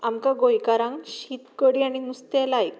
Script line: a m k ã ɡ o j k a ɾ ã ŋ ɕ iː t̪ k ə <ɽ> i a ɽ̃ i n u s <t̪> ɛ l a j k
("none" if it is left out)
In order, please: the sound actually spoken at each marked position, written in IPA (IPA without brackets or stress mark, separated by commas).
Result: ɽ, t̪